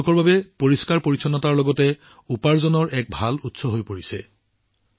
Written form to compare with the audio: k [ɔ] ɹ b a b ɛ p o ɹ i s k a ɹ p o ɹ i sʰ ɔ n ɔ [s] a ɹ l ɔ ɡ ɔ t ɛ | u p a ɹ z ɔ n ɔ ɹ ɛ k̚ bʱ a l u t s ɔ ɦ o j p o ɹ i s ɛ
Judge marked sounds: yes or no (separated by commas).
yes, no